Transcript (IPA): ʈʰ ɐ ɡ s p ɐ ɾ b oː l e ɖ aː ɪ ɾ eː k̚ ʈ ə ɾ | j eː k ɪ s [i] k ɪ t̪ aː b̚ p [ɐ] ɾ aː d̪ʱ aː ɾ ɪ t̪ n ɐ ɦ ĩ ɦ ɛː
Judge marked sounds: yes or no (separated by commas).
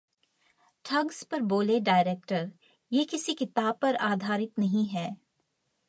yes, yes